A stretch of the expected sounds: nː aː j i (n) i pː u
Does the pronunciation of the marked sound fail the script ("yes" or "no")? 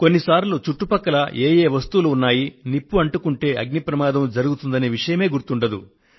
no